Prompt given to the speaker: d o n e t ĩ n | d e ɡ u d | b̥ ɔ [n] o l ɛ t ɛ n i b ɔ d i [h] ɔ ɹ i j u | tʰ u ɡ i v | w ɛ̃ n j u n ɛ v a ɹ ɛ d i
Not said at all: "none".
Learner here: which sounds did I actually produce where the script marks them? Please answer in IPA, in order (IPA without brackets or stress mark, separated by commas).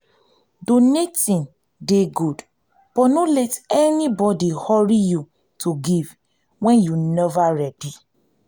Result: n, h